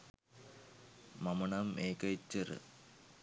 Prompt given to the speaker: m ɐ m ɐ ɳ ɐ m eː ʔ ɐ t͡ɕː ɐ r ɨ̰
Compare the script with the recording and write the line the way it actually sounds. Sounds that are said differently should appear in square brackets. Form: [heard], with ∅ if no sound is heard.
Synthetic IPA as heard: m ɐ m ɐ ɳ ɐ m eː [k] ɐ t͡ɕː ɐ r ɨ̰